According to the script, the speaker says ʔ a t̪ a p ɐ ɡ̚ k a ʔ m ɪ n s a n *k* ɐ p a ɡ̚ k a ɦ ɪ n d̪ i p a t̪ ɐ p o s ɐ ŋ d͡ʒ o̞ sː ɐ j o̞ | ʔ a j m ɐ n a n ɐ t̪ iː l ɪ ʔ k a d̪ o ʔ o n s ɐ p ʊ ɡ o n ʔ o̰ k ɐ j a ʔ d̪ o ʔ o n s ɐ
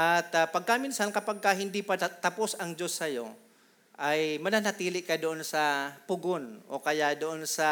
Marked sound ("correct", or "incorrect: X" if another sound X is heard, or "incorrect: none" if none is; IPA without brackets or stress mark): correct